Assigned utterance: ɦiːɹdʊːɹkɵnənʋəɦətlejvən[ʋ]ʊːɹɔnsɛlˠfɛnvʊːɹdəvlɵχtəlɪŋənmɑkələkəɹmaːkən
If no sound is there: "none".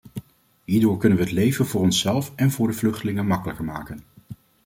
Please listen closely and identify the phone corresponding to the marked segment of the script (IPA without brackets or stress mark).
v